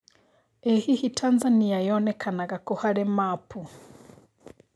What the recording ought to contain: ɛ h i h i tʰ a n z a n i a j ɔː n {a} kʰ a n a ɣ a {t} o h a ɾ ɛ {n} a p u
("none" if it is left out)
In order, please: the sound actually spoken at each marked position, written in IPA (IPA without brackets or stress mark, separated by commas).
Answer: ɛ, k, m